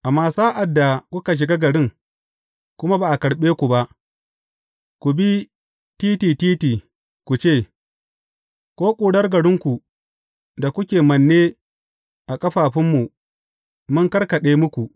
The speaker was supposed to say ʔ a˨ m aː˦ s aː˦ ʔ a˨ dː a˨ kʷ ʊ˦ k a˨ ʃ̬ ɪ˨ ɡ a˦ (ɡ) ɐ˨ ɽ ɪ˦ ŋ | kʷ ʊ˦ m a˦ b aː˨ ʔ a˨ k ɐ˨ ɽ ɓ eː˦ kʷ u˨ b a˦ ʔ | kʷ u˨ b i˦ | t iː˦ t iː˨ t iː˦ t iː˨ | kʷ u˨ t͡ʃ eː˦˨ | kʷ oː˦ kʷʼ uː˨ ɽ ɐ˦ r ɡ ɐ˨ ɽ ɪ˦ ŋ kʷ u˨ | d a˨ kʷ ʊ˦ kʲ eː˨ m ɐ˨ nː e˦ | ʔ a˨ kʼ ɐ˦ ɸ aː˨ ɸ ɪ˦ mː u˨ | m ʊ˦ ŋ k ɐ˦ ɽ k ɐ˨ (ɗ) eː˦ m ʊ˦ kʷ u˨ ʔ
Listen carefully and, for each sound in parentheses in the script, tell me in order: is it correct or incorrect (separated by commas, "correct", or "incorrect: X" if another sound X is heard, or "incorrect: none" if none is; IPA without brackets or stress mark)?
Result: correct, correct